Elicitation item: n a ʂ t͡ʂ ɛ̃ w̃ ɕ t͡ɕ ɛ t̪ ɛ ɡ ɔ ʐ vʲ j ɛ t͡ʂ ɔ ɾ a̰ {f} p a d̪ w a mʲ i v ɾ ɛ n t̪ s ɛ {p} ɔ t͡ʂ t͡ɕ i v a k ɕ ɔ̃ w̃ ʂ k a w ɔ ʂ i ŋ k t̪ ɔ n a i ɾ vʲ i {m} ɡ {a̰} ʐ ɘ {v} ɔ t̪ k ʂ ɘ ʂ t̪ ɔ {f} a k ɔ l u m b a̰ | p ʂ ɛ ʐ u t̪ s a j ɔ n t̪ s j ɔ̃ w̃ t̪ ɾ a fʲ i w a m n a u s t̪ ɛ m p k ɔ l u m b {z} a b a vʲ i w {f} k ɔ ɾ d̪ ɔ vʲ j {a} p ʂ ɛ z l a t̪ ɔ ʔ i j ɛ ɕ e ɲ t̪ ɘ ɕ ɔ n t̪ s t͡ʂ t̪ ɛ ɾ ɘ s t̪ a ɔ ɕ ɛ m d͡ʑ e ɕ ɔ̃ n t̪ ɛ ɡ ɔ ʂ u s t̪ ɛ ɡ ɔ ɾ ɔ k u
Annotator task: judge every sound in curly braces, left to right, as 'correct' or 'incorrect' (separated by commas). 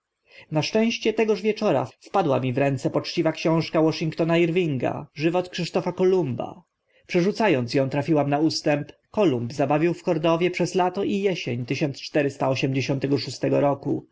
correct, correct, incorrect, correct, correct, correct, correct, correct, incorrect